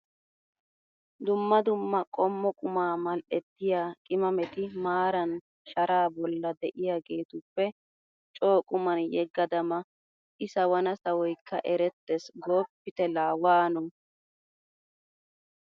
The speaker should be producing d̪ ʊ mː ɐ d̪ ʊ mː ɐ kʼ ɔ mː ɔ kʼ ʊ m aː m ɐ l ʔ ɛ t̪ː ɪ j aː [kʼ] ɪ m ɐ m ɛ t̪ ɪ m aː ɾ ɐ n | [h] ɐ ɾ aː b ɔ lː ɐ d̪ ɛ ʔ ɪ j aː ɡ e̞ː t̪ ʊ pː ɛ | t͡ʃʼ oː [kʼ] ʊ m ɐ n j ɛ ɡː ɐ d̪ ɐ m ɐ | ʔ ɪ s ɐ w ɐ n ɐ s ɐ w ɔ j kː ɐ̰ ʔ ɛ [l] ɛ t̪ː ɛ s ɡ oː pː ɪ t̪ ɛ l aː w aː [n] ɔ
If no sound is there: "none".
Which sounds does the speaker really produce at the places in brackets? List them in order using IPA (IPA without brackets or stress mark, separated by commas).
kʼ, ʃ, kʼ, ɾ, n